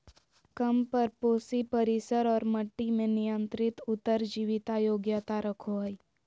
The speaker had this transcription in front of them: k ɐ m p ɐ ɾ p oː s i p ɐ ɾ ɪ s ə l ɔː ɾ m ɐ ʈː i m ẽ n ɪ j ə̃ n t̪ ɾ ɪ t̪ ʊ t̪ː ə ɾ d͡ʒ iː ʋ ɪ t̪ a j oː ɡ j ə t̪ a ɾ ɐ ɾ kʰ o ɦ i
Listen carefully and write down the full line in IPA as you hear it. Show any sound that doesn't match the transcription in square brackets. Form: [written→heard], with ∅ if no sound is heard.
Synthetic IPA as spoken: k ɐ m p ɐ ɾ p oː s i p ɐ ɾ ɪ s ə [l→ɾ] ɔː ɾ m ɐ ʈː i m ẽ n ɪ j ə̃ n t̪ ɾ ɪ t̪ ʊ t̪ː ə ɾ d͡ʒ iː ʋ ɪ t̪ a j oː ɡ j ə t̪ a ɾ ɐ [ɾ→∅] kʰ o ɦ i

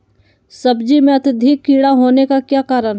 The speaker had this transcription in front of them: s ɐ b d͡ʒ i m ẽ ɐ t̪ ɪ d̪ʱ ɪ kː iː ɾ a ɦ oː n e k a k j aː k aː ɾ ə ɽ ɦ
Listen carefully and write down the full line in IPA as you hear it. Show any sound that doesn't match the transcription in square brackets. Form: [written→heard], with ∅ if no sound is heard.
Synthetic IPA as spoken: s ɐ b d͡ʒ i m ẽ ɐ t̪ ɪ d̪ʱ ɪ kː iː [ɾ→ɽ] a ɦ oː n e k a k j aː k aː ɾ ə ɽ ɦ

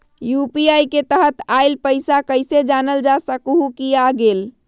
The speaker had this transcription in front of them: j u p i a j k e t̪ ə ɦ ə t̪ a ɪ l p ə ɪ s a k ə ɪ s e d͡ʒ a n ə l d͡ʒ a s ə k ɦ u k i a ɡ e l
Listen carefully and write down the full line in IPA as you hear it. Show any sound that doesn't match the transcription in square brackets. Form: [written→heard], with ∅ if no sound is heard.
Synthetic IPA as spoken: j u p i a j k e t̪ ə ɦ ə t̪ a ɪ l p ə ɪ s a k ə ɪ s e d͡ʒ a n ə l d͡ʒ a s ə k ɦ u k i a ɡ e l

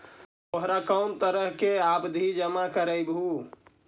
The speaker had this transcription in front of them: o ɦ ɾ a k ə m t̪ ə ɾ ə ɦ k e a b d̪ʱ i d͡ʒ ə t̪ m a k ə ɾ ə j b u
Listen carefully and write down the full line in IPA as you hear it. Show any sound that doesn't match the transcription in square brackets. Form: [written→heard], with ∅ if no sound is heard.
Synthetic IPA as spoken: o ɦ ɾ a k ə m t̪ ə ɾ ə ɦ k e a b d̪ʱ i d͡ʒ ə [t̪→∅] m a k ə ɾ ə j b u

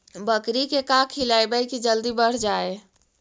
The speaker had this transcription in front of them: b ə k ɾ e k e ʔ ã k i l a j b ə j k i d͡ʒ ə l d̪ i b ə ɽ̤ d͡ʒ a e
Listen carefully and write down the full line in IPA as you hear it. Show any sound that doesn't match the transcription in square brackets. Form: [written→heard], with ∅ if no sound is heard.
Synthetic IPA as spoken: b ə k ɾ [e→i] k e [ʔ→k] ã [k→kʰ] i l a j b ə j k i d͡ʒ ə l d̪ i b ə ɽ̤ d͡ʒ a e

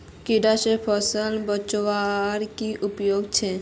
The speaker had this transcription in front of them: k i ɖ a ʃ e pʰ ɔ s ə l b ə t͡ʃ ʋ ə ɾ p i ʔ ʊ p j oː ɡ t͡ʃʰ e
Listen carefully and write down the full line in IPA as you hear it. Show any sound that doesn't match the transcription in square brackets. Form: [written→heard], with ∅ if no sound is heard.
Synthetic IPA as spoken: k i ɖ a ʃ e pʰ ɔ s ə l b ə t͡ʃ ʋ [ə→a] ɾ [p→k] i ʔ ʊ p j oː ɡ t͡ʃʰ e

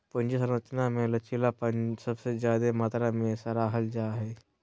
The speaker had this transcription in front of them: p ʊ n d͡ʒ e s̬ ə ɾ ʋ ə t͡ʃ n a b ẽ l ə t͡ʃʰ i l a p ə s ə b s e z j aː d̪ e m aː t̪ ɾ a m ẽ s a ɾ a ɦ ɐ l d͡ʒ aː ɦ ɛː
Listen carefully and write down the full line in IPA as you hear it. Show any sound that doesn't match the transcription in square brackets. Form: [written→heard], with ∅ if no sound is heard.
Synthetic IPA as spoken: p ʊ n d͡ʒ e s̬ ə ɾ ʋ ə t͡ʃ n a [b→m] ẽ l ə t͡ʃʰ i l a p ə s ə b s e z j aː d̪ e m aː t̪ ɾ a m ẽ s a ɾ a ɦ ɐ l d͡ʒ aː ɦ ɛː

